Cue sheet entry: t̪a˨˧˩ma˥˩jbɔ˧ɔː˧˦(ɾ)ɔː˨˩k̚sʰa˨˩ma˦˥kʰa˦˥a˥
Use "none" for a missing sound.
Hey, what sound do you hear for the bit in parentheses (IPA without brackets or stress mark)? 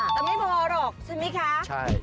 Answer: ɾ